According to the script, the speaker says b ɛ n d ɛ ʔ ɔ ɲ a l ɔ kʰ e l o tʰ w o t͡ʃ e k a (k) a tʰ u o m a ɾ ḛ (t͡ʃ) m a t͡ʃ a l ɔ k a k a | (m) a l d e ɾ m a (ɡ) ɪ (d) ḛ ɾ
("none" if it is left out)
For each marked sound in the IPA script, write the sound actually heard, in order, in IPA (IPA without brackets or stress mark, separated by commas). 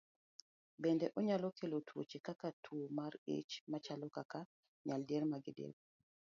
k, t͡ʃ, ɲ, ɡ, d